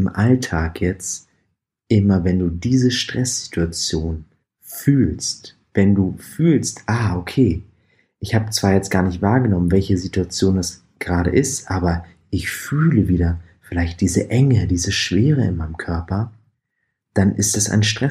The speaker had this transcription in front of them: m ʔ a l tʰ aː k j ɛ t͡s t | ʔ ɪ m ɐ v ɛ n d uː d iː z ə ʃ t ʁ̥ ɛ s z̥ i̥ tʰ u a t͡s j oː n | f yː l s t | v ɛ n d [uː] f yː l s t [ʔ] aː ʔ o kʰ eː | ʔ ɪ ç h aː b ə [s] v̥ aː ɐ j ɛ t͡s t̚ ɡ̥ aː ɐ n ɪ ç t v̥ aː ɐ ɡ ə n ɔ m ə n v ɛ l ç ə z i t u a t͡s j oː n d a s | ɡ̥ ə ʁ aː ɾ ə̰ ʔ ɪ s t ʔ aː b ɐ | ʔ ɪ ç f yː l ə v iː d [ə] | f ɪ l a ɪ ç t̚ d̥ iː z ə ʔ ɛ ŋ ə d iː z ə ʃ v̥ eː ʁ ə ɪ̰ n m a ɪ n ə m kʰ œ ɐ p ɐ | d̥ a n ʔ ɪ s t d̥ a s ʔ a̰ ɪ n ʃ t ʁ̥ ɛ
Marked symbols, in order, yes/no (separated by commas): yes, yes, no, no